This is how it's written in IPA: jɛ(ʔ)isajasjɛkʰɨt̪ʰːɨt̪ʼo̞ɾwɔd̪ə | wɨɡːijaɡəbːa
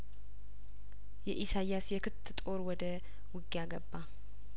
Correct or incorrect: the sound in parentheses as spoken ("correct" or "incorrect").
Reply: correct